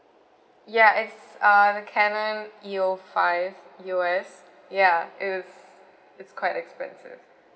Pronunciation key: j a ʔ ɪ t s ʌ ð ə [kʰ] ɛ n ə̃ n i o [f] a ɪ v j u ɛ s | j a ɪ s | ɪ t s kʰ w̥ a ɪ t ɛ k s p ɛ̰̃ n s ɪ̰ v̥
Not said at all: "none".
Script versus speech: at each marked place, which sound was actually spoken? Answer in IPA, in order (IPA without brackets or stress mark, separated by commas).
kʰ, f